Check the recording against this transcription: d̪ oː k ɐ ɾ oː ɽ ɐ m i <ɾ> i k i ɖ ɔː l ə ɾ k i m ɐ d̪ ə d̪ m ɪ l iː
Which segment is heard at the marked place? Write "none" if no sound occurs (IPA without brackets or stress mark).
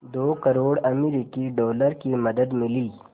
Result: ɾ